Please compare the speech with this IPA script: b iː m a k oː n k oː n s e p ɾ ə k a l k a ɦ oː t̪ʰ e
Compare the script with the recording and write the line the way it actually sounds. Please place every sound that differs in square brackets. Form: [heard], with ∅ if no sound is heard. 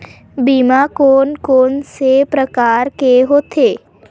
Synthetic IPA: b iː m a k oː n k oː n s e p ɾ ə k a [ɾ] k [e] ɦ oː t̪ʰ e